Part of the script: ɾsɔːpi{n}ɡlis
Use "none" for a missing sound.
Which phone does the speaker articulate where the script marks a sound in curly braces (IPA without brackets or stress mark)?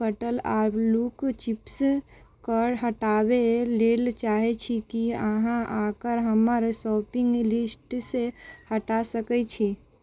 ŋ